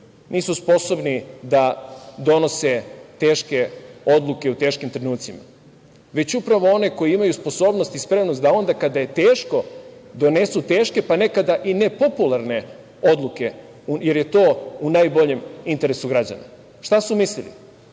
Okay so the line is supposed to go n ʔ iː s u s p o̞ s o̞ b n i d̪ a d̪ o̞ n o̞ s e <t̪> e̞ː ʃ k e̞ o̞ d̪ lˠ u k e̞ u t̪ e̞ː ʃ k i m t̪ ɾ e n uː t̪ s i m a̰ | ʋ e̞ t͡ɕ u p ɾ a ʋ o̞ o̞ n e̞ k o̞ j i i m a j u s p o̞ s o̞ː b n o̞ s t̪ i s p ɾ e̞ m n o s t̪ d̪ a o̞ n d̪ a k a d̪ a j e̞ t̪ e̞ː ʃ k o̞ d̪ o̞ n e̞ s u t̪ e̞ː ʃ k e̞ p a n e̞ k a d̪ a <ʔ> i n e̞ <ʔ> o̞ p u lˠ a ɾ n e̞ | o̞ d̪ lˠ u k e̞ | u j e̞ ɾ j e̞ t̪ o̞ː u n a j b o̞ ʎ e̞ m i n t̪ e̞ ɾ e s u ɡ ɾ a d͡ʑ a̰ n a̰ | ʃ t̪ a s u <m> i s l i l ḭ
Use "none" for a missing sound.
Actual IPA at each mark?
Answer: t̪, ʔ, p, m

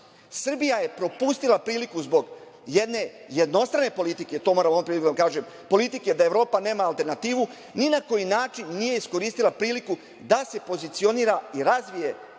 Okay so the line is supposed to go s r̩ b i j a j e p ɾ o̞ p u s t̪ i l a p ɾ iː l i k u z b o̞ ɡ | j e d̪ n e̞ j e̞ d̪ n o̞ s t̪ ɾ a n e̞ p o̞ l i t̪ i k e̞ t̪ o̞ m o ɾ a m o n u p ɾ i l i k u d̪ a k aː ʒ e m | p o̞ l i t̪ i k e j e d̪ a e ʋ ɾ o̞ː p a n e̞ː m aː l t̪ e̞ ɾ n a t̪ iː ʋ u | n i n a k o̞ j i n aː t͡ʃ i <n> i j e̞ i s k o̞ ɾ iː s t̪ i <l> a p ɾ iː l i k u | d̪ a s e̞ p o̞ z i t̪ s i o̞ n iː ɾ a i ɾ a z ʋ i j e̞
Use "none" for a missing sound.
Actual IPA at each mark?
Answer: nː, l

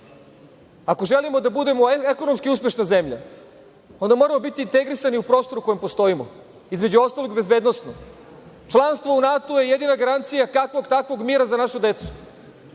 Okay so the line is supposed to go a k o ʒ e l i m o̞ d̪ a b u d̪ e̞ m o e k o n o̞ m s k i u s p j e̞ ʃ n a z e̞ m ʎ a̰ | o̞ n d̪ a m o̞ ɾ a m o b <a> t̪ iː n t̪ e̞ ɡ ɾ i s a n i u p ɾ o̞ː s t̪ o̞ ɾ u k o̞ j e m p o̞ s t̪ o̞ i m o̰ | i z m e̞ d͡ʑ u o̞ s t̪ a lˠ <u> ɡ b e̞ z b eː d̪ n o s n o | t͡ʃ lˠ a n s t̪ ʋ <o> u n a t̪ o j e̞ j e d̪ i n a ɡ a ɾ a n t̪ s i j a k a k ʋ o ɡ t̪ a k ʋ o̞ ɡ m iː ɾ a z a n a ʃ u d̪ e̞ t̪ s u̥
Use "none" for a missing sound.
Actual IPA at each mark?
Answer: i, o, o

